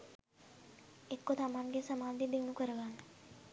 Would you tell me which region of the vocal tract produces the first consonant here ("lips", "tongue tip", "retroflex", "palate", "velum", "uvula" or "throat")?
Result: velum